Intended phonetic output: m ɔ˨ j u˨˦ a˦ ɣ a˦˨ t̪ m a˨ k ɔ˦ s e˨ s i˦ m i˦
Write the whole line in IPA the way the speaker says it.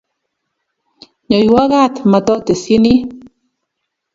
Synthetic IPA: ɲ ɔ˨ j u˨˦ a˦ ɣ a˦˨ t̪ m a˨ t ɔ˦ t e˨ s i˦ n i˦